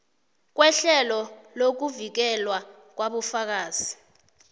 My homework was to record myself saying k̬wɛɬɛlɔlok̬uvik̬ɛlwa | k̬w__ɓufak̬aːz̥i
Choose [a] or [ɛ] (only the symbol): a